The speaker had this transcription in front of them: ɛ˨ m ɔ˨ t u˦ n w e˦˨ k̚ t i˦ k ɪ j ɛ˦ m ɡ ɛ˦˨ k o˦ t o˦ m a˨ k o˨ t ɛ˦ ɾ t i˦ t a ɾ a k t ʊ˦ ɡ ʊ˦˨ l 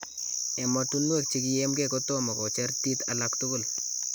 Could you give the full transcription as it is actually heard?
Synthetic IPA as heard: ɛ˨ m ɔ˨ t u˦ n w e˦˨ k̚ t͡ʃ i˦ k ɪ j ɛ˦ m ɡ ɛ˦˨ k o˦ t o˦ m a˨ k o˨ t͡ʃ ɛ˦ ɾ t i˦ t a l a k t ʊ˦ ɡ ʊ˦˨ l